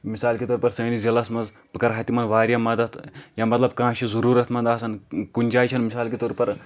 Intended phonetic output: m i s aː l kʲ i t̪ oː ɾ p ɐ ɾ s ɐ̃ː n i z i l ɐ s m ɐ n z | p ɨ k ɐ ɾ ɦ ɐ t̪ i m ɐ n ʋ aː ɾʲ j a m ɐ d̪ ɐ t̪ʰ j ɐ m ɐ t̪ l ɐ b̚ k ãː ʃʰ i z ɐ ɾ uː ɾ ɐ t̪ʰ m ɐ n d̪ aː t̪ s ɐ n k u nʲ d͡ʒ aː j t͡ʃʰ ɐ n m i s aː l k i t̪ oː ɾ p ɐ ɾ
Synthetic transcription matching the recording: m i s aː l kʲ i t̪ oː ɾ p ɐ ɾ s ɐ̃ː n i z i l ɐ s m ɐ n z | p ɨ k ɐ ɾ ɦ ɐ t̪ i m ɐ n ʋ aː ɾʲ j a m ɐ d̪ ɐ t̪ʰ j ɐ m ɐ t̪ l ɐ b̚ k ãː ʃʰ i z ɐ ɾ uː ɾ ɐ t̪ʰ m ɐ n d̪ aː s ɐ n k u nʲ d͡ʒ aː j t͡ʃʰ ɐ n m i s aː l k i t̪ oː ɾ p ɐ ɾ